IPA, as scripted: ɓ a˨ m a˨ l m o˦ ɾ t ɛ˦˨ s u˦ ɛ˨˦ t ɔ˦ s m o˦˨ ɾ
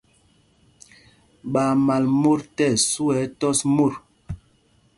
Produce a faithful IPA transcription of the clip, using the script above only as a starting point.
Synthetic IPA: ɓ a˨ m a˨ l m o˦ ɾ t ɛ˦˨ s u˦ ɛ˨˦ t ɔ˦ s m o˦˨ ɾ